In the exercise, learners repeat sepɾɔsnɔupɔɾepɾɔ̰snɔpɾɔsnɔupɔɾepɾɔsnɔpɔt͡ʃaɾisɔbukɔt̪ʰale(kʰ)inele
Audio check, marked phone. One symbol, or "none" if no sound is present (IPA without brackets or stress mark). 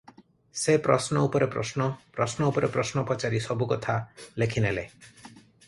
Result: kʰ